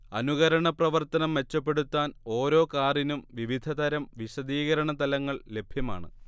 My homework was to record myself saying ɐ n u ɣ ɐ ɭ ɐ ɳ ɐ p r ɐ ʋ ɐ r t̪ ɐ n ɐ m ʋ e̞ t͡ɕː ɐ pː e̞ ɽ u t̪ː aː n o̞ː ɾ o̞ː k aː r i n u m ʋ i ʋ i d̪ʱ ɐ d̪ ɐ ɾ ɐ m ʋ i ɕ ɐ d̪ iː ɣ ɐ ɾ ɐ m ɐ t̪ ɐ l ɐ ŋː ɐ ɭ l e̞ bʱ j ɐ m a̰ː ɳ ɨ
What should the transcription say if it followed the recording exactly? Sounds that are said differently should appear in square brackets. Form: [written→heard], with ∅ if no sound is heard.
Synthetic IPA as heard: ɐ n u ɣ ɐ [ɭ→ɾ] ɐ ɳ ɐ p r ɐ ʋ ɐ r t̪ ɐ n ɐ m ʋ e̞ t͡ɕː ɐ pː e̞ ɽ u t̪ː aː n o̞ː ɾ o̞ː k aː r i n u m ʋ i ʋ i d̪ʱ ɐ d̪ ɐ ɾ ɐ m ʋ i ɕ ɐ d̪ iː ɣ ɐ ɾ ɐ [m→ɳ] ɐ t̪ ɐ l ɐ ŋː ɐ ɭ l e̞ bʱ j ɐ m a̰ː ɳ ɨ